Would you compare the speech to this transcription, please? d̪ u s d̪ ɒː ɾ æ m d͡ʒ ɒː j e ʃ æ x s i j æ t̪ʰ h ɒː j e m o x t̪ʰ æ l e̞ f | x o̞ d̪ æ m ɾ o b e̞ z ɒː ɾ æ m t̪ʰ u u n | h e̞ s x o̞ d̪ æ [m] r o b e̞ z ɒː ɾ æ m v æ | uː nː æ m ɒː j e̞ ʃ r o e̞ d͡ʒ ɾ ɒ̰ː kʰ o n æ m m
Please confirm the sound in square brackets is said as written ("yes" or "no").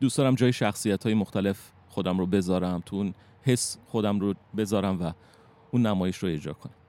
yes